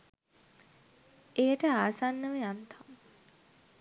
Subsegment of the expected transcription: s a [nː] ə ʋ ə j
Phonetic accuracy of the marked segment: correct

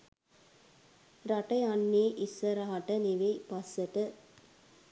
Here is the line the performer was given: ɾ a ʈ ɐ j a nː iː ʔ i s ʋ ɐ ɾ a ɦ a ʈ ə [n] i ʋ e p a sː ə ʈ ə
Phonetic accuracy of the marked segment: correct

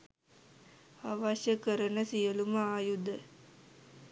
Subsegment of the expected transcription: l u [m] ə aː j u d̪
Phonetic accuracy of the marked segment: correct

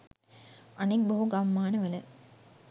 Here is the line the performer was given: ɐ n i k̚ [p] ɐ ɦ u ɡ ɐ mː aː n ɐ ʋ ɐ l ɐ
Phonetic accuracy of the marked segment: incorrect: b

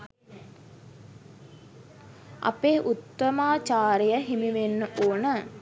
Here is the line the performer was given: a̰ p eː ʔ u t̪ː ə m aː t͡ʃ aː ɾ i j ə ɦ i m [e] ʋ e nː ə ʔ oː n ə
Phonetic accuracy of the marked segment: incorrect: i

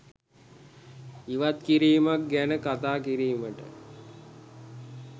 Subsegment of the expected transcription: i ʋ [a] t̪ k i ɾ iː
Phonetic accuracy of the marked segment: correct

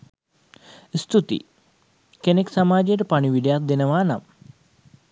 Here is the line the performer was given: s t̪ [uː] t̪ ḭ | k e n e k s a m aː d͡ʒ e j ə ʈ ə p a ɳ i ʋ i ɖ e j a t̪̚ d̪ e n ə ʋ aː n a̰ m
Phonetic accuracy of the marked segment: incorrect: u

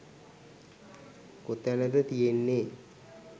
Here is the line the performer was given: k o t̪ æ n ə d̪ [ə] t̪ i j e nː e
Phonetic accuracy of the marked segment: correct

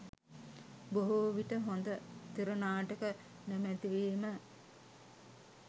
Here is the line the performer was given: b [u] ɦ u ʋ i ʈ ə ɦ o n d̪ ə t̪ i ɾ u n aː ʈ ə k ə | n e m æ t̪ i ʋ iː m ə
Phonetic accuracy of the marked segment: incorrect: o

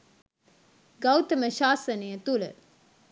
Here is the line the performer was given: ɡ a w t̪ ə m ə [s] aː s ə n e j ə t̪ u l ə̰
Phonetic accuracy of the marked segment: incorrect: ʃ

